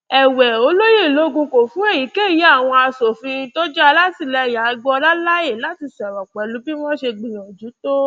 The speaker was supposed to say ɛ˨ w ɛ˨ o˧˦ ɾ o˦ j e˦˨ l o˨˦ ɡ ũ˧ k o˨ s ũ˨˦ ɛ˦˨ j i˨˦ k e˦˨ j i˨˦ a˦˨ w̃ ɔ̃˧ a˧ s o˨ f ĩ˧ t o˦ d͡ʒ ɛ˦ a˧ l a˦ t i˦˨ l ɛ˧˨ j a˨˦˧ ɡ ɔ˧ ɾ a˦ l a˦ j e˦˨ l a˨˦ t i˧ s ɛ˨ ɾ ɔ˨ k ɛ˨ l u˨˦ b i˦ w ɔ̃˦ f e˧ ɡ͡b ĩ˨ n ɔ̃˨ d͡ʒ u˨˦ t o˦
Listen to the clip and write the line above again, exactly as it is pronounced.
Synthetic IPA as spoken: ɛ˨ w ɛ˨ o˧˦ l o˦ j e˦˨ l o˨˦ ɡ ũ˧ k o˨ f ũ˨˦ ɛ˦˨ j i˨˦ k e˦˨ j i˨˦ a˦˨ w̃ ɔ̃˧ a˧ s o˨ f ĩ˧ t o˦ d͡ʒ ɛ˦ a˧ l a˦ t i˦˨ l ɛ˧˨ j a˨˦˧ ɡ͡b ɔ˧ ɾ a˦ l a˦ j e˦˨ l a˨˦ t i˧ s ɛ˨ ɾ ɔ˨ k͡p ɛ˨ l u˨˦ b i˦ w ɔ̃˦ ʃ e˧ ɡ͡b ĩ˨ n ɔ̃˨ d͡ʒ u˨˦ t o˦